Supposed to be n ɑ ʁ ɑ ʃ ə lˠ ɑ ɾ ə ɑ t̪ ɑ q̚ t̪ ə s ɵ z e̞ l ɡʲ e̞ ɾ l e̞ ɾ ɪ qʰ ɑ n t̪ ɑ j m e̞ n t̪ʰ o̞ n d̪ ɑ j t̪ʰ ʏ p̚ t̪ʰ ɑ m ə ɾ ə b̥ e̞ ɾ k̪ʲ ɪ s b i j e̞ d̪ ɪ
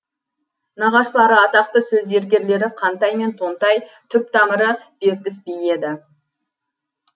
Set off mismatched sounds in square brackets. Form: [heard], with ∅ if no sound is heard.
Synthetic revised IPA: n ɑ ʁ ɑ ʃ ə lˠ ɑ ɾ ə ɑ t̪ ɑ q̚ t̪ ə s ɵ z e̞ [ɾ] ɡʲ e̞ ɾ l e̞ ɾ ɪ qʰ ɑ n t̪ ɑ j m e̞ n t̪ʰ o̞ n [t̪] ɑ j t̪ʰ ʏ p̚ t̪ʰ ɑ m ə ɾ ə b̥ e̞ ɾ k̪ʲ ɪ s b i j e̞ d̪ ɪ